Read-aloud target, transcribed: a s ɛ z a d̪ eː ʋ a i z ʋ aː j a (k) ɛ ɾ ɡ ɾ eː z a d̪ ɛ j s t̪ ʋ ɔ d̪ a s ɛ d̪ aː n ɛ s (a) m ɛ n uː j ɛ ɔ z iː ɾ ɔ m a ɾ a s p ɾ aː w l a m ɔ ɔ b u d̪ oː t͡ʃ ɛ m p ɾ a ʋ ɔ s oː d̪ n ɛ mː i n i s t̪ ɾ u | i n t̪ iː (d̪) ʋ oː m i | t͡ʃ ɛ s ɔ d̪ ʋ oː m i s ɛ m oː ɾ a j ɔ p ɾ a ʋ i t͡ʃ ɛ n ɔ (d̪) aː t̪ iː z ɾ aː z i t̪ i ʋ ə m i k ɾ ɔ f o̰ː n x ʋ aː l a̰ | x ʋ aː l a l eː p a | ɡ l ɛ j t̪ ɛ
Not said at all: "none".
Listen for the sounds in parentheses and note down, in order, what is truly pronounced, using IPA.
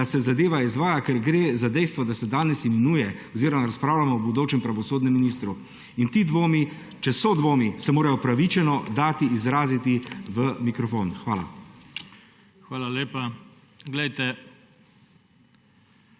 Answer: k, i, d̪, d̪

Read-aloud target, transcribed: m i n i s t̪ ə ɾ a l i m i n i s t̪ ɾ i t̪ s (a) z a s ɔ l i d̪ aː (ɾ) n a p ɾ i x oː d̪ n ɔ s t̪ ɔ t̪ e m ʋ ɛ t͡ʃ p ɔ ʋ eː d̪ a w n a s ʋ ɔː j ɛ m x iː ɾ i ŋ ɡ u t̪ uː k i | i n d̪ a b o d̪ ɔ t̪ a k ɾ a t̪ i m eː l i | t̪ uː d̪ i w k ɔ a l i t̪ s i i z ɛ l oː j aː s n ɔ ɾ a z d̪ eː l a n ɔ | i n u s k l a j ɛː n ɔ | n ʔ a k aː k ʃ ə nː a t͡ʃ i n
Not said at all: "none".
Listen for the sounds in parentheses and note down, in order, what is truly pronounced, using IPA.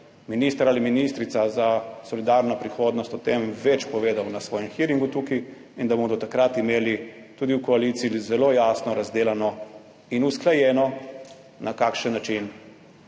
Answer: a, ɾ

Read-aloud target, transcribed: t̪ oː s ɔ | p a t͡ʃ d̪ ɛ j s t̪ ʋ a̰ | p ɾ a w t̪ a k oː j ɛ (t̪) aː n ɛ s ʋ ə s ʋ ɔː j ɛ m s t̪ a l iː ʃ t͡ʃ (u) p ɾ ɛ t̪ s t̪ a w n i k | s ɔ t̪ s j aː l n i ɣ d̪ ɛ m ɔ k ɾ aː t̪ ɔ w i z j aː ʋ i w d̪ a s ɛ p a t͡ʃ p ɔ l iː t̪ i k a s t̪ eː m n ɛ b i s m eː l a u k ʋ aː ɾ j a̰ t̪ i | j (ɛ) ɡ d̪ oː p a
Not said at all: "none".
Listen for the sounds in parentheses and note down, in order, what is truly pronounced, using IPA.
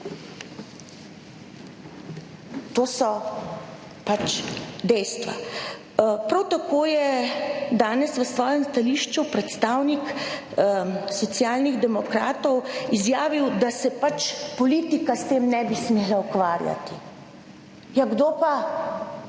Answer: d̪, u, a

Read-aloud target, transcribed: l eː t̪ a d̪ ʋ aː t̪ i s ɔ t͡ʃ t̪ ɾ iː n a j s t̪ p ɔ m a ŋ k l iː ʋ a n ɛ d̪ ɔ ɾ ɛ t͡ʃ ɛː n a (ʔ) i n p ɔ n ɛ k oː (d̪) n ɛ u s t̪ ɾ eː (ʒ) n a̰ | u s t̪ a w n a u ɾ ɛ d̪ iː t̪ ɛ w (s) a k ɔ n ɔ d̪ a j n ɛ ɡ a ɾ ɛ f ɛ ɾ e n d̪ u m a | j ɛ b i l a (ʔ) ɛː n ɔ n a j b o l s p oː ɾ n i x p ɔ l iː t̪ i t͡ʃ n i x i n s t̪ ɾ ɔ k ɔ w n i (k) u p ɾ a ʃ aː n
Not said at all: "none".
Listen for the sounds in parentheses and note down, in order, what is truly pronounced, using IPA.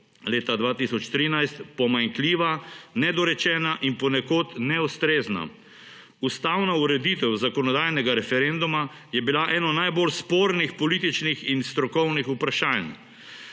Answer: ʔ, t̪, z, z, ʔ, x

